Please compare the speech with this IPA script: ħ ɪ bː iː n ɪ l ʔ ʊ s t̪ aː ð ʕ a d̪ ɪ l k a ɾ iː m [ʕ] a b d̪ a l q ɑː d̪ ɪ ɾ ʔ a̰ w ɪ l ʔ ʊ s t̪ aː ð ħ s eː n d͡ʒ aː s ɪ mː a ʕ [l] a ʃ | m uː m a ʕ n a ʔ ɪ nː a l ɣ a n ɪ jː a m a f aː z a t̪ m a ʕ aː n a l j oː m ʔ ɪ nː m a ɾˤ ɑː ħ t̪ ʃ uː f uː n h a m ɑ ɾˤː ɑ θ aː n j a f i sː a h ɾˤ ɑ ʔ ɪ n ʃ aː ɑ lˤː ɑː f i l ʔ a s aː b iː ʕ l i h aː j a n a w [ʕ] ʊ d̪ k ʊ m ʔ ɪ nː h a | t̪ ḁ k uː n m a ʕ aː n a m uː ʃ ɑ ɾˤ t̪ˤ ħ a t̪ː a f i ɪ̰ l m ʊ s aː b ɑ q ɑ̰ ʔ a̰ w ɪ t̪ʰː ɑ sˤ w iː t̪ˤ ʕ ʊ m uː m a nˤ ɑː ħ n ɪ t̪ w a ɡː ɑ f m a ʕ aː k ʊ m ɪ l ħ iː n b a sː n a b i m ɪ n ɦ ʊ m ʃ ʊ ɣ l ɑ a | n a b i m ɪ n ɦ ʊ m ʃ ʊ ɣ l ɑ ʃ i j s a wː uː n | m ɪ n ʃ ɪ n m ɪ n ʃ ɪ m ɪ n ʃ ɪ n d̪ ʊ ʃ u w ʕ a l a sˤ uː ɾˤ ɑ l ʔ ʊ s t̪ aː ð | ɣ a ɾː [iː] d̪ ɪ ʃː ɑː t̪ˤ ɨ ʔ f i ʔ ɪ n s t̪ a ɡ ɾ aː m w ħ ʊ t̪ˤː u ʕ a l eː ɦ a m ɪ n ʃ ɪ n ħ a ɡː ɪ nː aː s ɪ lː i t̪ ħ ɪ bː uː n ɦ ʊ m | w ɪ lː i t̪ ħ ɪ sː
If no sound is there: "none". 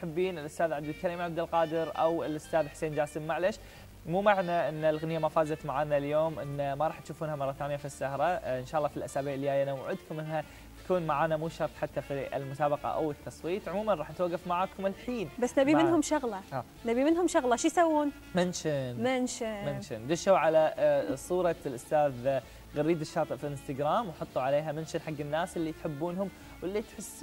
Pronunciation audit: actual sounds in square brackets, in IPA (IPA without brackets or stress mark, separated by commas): ʕ, l, ʕ, iː